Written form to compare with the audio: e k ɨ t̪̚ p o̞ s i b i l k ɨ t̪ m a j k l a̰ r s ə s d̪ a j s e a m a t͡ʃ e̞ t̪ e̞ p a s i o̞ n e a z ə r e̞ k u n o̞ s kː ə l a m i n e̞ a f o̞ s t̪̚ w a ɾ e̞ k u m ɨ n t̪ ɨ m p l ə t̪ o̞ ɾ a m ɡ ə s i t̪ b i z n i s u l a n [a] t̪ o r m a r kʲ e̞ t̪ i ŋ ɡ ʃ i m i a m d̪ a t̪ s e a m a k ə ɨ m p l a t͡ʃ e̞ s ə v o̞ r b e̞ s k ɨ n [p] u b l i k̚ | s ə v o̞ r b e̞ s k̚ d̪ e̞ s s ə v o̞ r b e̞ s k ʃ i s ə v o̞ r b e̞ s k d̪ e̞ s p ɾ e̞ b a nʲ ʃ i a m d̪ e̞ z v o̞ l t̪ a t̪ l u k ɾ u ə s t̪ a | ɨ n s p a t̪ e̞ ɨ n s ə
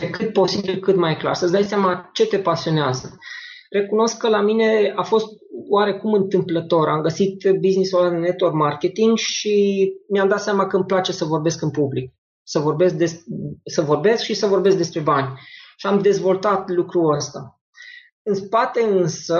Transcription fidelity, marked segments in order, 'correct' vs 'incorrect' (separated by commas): incorrect, correct